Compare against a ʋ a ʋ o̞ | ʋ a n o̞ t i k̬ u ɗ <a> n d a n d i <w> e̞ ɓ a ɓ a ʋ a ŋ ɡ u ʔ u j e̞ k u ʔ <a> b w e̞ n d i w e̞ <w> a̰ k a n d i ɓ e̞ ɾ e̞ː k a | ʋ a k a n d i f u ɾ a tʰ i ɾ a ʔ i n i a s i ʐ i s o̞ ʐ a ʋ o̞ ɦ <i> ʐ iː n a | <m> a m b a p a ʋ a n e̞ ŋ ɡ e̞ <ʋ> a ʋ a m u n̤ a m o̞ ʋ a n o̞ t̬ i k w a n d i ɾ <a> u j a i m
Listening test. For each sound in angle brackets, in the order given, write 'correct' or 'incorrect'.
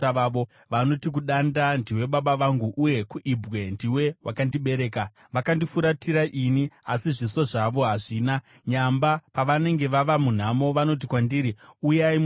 correct, correct, incorrect, correct, incorrect, incorrect, correct, incorrect

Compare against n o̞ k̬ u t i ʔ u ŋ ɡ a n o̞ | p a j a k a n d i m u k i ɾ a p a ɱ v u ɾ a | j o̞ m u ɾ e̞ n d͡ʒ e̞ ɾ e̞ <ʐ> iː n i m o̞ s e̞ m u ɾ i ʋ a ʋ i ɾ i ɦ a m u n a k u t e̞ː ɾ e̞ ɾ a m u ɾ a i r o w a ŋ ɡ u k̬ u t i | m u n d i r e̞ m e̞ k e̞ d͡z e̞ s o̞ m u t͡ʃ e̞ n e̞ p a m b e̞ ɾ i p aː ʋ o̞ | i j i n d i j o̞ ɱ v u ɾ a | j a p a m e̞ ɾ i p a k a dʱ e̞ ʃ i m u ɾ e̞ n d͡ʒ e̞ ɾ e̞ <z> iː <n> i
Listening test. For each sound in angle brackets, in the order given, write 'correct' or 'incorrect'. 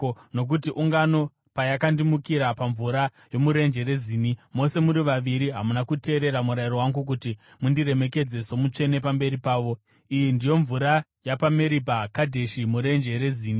incorrect, correct, correct

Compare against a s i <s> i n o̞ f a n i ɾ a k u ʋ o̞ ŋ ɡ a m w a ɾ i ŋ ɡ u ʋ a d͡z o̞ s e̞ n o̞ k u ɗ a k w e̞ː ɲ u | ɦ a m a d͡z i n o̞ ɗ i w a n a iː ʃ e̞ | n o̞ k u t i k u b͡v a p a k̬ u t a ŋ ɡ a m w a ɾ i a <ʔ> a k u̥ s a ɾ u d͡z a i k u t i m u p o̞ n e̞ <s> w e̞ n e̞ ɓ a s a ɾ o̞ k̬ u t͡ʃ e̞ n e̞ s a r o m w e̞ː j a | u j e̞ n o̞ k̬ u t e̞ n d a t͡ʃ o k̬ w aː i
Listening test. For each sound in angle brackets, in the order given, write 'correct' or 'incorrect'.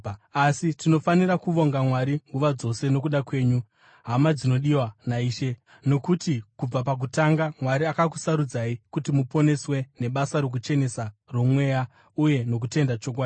incorrect, incorrect, correct

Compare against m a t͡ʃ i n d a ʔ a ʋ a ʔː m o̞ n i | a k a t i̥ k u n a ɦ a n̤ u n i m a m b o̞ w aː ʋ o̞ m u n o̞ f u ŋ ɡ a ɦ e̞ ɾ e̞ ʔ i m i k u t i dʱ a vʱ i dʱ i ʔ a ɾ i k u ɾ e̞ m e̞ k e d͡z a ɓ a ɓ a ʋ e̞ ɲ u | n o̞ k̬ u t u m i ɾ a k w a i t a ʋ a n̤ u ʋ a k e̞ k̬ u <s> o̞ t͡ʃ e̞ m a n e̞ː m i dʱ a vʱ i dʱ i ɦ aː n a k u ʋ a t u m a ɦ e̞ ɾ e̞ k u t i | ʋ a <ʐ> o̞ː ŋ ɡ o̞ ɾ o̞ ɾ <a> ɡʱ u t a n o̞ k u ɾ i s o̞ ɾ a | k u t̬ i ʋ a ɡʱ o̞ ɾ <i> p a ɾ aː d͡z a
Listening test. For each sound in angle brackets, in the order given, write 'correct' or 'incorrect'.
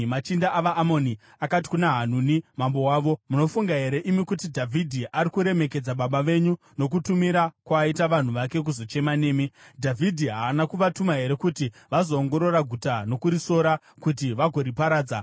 incorrect, incorrect, correct, correct

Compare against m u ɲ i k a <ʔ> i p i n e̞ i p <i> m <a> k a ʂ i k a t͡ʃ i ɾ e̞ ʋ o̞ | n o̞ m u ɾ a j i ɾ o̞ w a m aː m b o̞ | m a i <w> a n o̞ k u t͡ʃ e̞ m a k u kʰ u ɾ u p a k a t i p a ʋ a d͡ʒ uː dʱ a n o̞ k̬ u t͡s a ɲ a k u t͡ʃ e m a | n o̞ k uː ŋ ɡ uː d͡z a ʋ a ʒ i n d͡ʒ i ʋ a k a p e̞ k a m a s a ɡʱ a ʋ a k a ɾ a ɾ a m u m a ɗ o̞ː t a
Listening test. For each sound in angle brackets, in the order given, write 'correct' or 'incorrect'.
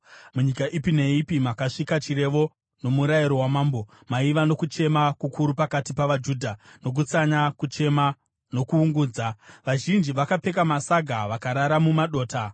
correct, correct, correct, incorrect

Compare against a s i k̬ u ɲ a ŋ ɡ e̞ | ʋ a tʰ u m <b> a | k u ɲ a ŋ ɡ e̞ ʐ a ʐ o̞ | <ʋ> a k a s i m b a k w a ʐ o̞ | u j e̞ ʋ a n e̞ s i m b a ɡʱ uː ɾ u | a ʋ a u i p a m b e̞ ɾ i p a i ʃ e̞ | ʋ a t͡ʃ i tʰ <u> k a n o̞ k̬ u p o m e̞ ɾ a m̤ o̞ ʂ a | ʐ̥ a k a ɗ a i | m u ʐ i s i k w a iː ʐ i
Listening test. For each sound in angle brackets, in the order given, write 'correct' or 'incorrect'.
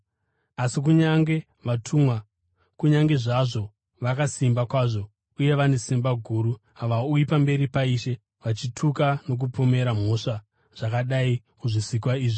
incorrect, correct, correct

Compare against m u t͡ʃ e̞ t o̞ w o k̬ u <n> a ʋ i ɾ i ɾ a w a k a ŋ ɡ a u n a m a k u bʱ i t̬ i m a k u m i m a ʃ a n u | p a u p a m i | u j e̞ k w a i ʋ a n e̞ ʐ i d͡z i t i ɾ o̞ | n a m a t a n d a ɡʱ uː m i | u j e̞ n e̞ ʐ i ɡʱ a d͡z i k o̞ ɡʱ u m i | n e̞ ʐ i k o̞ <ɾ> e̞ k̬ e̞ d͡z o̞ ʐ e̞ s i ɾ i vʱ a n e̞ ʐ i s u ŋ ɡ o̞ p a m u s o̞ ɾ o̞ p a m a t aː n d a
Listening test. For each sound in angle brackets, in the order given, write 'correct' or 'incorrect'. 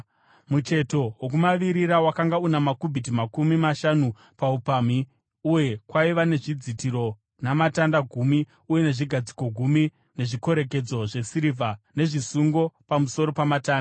incorrect, correct

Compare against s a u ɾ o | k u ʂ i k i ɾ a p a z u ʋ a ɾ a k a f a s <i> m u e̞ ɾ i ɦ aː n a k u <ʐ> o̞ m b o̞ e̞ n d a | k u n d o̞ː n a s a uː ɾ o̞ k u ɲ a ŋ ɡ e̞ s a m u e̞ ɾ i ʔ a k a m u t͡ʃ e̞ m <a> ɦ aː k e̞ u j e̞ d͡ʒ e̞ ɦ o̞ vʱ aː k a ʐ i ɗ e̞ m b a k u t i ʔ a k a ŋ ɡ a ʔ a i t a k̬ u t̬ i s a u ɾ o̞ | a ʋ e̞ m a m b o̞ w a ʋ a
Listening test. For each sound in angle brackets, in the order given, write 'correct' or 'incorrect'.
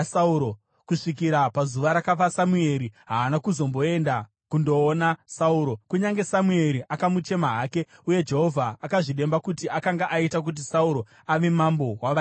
incorrect, incorrect, correct

